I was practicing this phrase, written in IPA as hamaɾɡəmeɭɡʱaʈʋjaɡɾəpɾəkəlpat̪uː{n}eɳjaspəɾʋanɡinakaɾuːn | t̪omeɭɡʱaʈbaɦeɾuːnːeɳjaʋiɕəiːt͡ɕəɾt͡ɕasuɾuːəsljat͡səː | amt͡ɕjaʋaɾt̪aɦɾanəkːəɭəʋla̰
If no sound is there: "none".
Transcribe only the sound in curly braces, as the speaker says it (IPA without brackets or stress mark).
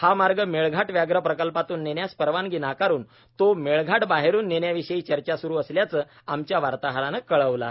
nː